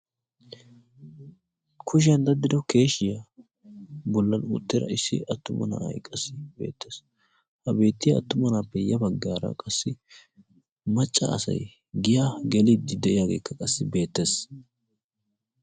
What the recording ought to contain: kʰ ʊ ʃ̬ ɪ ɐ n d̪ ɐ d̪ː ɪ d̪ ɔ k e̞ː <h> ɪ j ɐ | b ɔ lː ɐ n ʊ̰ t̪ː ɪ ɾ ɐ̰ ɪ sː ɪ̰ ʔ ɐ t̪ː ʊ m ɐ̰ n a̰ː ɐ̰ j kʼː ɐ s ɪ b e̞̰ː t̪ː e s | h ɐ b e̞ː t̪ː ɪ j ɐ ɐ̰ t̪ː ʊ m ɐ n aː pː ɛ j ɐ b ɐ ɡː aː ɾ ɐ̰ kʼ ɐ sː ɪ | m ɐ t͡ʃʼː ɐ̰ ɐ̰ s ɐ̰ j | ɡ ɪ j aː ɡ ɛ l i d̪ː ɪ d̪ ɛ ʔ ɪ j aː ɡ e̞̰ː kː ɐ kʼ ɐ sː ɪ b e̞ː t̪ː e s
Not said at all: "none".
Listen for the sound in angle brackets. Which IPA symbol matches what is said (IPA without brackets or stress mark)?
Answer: ʃ